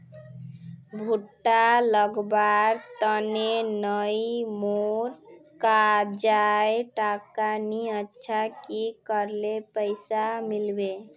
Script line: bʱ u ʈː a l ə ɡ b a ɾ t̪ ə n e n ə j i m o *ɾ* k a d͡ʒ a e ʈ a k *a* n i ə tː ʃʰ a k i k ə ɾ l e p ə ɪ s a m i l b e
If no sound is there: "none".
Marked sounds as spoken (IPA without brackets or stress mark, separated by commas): ɾ, a